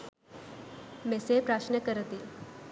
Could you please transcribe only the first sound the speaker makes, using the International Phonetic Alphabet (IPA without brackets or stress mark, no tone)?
m